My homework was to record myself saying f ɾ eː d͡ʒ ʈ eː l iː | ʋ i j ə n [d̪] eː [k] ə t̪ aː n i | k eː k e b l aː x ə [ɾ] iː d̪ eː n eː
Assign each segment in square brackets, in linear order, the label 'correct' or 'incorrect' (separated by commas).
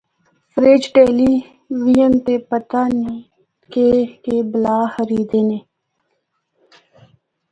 incorrect, incorrect, correct